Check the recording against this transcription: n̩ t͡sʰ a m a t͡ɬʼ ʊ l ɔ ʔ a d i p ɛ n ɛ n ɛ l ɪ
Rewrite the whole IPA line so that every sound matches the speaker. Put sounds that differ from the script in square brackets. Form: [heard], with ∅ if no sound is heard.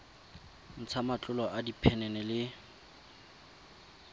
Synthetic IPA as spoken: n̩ t͡sʰ a m a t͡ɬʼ ʊ l ɔ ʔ a d i [pʰ] ɛ n ɛ n ɛ l ɪ